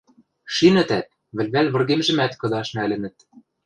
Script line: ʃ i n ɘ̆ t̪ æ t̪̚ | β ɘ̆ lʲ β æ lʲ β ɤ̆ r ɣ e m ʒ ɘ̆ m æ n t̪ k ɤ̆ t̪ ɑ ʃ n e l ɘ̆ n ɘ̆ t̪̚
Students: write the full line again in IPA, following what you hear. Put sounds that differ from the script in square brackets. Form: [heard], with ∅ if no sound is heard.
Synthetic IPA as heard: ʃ i n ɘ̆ t̪ æ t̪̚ | β ɘ̆ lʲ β æ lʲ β ɤ̆ r ɣ e m ʒ ɘ̆ m æ [∅] t̪ k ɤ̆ [d̪] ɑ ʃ n [æ] l ɘ̆ n ɘ̆ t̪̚